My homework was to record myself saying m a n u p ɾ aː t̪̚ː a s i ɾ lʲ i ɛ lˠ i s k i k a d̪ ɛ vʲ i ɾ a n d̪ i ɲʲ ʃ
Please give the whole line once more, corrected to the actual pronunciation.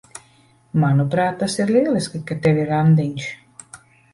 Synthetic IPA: m a n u p ɾ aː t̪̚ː a s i ɾ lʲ i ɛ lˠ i s k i k a t̪ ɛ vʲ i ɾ a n d̪ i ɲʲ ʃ